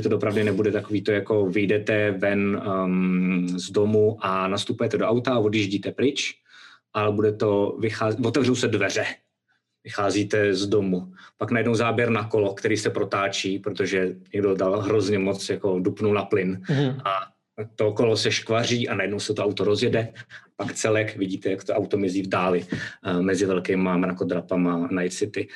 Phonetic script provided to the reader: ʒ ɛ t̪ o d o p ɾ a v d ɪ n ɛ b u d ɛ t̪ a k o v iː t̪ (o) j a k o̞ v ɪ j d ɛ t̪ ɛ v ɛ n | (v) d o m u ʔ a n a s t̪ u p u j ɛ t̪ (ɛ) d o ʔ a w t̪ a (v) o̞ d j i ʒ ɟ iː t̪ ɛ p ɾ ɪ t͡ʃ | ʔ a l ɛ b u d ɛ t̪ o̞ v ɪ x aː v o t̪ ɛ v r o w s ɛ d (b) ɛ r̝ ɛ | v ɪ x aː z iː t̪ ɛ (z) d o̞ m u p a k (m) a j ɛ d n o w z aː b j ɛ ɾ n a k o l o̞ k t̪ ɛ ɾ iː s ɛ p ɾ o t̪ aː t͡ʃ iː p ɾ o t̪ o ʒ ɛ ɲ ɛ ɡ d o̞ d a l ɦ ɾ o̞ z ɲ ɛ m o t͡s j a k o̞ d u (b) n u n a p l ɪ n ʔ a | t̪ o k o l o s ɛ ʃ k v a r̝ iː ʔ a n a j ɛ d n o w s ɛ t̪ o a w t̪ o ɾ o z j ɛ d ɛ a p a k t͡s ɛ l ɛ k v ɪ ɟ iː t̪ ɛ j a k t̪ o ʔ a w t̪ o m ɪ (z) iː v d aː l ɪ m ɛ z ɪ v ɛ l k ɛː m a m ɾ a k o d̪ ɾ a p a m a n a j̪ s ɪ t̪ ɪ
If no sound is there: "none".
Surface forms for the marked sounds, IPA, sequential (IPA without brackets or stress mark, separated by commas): o, z, ɛ, v, v, z, n, p, z